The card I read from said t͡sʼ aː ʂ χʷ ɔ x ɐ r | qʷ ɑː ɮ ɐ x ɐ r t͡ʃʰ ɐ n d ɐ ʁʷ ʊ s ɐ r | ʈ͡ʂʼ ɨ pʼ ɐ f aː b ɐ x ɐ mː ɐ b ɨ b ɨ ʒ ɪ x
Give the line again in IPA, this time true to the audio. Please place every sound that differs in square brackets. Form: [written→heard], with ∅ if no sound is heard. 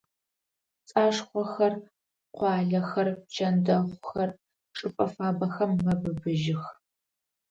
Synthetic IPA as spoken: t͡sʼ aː ʂ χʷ ɔ x ɐ r | qʷ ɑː ɮ ɐ x ɐ r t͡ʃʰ ɐ n d ɐ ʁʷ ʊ [s→x] ɐ r | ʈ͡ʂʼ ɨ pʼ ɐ f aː b ɐ x ɐ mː ɐ b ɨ b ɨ ʒ ɪ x